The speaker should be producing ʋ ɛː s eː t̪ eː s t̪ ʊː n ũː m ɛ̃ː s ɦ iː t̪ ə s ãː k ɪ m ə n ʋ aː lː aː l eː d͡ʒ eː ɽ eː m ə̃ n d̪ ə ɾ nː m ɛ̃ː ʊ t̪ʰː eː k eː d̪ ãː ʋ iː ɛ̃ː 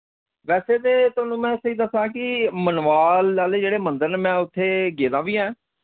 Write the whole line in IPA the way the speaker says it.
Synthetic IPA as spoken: ʋ ɛː s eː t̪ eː t̪ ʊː n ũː m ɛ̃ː s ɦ iː d̪ ə s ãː k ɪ m ə n ʋ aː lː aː l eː d͡ʒ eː ɽ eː m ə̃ n d̪ ə ɾ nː m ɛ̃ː ʊ t̪ʰː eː ɡ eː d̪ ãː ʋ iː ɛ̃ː

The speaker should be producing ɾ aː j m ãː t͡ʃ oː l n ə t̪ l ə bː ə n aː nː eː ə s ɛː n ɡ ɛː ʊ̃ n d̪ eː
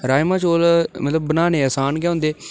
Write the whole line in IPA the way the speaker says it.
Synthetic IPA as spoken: ɾ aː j m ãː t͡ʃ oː l m ə t̪ l ə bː ə n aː n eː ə s aː n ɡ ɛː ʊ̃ n d̪ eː

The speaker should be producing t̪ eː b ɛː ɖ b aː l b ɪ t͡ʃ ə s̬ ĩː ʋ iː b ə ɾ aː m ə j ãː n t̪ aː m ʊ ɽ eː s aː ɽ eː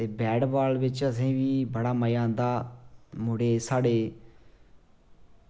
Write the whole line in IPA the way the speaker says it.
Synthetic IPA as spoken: t̪ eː b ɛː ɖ b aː l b ɪ t͡ʃ ə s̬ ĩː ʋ iː b ə ɽ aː m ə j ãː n d̪ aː m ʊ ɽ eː s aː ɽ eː

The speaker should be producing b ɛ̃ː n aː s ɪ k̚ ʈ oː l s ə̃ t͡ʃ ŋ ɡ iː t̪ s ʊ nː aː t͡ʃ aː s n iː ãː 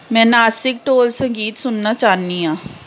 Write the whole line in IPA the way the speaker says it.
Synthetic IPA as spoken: m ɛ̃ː n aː s ɪ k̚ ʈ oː l s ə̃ ŋ ɡ iː t̪ s ʊ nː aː t͡ʃ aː n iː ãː

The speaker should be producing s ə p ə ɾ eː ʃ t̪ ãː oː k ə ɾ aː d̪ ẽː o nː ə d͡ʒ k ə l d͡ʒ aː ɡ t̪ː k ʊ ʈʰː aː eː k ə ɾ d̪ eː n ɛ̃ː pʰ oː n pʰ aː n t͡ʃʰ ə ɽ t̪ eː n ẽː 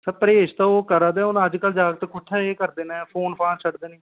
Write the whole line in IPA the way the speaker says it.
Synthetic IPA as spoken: s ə p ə ɾ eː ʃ t̪ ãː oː k ə ɾ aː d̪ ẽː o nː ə d͡ʒ k ə l d͡ʒ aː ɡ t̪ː k ʊ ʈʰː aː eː k ə ɾ d̪ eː n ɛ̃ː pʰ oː n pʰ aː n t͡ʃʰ ə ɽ d̪ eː n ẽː

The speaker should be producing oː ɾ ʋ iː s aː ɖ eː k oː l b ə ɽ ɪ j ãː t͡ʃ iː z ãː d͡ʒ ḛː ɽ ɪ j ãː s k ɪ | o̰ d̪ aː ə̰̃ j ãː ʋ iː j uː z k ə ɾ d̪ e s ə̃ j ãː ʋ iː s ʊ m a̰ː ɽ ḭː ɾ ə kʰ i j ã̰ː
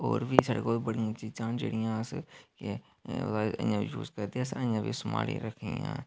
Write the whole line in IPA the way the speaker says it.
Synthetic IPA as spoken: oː ɾ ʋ iː s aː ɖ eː k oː l b ə ɽ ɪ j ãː t͡ʃ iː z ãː d͡ʒ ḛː ɽ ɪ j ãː s k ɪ | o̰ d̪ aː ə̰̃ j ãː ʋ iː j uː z k ə ɾ d̪ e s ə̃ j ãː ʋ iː s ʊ m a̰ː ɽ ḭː ɾ ə kʰ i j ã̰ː

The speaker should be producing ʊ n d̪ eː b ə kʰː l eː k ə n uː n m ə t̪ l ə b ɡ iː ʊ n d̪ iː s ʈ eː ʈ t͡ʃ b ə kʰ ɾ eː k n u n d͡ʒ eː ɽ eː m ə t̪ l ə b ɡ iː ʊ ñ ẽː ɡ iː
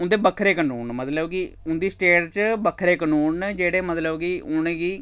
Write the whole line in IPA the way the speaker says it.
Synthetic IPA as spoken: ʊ n d̪ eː b ə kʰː ɾ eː k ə n uː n m ə t̪ l ə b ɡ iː ʊ n d̪ iː s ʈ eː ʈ t͡ʃ b ə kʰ ɾ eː k n uː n d͡ʒ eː ɽ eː m ə t̪ l ə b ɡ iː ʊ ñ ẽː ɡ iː

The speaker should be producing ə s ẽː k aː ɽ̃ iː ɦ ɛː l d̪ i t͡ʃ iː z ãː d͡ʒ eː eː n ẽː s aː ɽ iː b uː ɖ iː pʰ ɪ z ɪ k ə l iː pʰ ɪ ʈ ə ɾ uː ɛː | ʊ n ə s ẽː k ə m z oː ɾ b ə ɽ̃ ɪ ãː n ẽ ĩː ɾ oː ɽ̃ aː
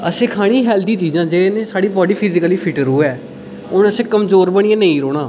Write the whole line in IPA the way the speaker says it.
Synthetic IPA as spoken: ə s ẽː kʰ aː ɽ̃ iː ɦ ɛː l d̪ iː t͡ʃ iː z ãː d͡ʒ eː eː n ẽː s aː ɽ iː b ɔː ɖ iː pʰ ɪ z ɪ k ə l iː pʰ ɪ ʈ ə ɾ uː ɛː | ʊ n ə s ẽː k ə m z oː ɾ b ə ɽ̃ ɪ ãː n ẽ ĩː ɾ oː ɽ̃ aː

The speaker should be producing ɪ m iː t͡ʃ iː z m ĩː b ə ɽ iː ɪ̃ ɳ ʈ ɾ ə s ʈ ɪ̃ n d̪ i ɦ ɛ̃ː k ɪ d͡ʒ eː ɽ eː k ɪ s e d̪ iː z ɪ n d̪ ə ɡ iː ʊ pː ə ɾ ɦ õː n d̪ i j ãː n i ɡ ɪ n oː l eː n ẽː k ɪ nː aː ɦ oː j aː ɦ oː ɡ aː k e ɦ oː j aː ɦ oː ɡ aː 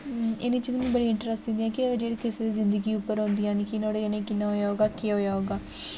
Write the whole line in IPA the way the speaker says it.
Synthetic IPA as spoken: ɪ n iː t͡ʃ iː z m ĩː b ə ɽ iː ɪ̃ ɳ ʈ ɾ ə s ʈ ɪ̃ n d̪ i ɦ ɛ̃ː k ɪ d͡ʒ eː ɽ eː k ɪ s e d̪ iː z ɪ n d̪ ə ɡ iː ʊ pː ə ɾ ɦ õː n d̪ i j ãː n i k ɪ n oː ɽ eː n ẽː k ɪ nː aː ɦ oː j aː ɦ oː ɡ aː k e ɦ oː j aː ɦ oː ɡ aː

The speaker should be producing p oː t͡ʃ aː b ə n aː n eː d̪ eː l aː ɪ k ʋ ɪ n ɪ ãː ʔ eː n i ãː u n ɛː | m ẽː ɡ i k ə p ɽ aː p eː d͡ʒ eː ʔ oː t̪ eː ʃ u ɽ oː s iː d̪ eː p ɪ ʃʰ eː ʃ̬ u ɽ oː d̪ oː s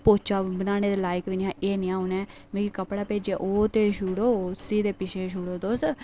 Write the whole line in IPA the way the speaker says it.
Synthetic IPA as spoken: p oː t͡ʃ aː b ə n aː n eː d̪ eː l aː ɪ k ʋ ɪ n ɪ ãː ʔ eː n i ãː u n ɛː | m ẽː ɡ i k ə p ɽ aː p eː d͡ʒ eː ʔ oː t̪ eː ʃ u ɽ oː s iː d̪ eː p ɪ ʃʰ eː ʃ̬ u ɽ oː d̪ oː s

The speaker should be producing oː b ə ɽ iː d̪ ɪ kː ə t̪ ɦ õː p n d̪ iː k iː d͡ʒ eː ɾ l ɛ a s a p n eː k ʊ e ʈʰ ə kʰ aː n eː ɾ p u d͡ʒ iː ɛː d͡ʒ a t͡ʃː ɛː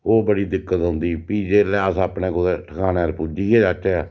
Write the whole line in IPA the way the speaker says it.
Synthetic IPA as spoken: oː b ə ɽ iː d̪ ɪ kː ə t̪ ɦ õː n d̪ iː p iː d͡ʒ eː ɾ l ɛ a s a p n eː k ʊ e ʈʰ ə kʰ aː n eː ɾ p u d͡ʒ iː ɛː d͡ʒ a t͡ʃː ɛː

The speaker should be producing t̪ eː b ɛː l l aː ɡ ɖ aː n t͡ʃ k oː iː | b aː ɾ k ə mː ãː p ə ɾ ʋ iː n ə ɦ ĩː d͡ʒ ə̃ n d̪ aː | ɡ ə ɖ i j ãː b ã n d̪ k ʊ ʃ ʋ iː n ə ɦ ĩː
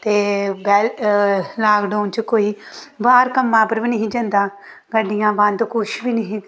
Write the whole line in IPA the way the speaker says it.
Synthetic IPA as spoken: t̪ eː b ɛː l l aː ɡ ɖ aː n t͡ʃ k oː iː | b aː ɾ k ə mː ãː p ə ɾ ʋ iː n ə ɦ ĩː d͡ʒ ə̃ n d̪ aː | ɡ ə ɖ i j ãː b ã n d̪ k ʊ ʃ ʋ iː n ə ɦ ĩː

